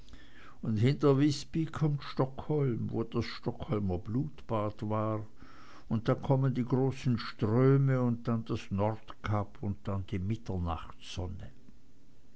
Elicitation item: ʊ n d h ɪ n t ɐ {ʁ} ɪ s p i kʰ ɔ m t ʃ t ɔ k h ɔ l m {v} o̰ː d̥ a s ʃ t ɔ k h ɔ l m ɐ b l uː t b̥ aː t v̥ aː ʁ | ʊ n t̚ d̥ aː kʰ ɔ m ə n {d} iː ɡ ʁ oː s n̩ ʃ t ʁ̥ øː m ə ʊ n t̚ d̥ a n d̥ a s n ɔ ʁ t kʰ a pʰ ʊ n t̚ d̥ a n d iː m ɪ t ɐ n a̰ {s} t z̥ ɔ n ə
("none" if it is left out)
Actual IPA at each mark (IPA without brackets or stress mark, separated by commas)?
v, v, d, χ